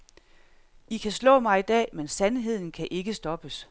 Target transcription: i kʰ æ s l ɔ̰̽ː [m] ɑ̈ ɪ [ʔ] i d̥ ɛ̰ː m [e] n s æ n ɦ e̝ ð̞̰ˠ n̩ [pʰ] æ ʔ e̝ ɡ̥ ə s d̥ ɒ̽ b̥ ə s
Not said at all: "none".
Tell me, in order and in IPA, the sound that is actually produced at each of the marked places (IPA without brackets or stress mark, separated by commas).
m, none, e, kʰ